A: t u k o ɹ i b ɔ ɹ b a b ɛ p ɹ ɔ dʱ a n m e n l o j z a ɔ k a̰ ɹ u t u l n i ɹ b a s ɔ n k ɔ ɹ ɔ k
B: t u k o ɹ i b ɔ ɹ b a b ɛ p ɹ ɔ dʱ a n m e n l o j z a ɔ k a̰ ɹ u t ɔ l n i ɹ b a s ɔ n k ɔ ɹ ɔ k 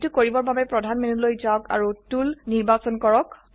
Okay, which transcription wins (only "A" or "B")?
A